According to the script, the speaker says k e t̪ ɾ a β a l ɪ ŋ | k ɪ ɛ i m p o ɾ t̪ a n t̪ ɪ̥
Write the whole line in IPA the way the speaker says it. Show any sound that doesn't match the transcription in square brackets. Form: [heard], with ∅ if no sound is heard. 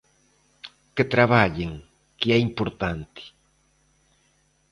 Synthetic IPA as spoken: k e t̪ ɾ a β a [ʎ] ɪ ŋ | k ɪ ɛ i m p o ɾ t̪ a n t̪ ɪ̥